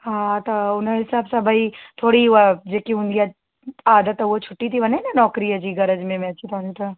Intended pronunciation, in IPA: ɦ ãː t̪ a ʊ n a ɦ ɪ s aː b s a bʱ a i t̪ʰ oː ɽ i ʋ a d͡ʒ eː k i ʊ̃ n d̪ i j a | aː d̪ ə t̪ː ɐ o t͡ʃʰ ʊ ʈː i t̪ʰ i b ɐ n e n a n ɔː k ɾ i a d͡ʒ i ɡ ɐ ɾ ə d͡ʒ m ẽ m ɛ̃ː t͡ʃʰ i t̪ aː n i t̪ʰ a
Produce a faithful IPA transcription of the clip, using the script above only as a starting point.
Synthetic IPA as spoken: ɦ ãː t̪ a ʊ n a ɦ ɪ s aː b s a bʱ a i t̪ʰ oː ɽ i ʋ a d͡ʒ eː k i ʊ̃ n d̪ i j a | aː d̪ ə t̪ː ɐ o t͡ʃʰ ʊ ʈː i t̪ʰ i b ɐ n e n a n ɔː k ɾ i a d͡ʒ i ɡ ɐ ɾ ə d͡ʒ m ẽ m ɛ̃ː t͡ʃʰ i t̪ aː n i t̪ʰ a